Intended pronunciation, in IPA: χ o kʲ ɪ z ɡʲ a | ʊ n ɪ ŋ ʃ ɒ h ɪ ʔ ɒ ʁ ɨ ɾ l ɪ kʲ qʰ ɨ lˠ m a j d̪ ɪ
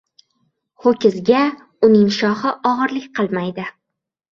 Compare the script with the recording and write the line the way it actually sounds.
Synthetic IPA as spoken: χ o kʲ ɪ z ɡʲ a | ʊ n ɪ ŋ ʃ ɒ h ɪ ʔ ɒ ʁ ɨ ɾ l ɪ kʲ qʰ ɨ lˠ m a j d̪ ɪ